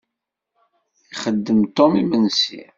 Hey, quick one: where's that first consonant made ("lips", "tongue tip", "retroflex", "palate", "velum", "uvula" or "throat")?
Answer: uvula